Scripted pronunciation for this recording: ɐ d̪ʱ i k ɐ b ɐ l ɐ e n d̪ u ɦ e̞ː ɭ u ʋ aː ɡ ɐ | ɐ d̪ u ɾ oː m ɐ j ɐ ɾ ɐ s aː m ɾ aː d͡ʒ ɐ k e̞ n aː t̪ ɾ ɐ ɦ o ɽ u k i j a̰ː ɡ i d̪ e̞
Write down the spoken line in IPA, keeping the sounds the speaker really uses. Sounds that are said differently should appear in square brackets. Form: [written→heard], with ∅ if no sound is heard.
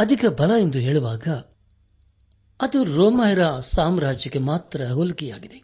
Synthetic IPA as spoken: ɐ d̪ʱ i k ɐ b ɐ l ɐ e n d̪ u ɦ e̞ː ɭ u ʋ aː ɡ ɐ | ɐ d̪ u ɾ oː m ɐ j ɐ ɾ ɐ s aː m ɾ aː d͡ʒ ɐ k e̞ [n→m] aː t̪ ɾ ɐ ɦ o [ɽ→l] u k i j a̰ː ɡ i d̪ e̞